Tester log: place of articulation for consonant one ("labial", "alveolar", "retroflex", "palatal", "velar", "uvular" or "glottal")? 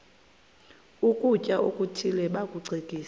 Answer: velar